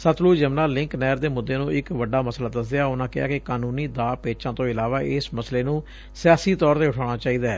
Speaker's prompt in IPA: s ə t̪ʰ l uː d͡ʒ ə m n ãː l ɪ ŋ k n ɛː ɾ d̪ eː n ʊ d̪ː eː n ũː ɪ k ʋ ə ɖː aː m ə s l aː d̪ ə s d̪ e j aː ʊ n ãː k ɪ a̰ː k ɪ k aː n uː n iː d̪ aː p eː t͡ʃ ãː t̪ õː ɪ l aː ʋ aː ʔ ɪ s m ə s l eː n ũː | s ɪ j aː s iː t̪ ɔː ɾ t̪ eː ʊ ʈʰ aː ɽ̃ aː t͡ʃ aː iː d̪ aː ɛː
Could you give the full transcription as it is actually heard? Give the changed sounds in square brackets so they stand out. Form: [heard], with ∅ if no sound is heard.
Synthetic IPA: s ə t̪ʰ l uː d͡ʒ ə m n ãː l ɪ ŋ k n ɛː ɾ d̪ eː [m] ʊ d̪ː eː n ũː ɪ k ʋ ə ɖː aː m ə s l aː d̪ ə s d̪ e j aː ʊ n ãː k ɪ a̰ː k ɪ k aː n uː n iː d̪ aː p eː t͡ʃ ãː t̪ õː ɪ l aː ʋ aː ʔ ɪ s m ə s l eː n ũː | s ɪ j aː s iː t̪ ɔː ɾ t̪ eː ʊ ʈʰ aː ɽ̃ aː t͡ʃ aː iː d̪ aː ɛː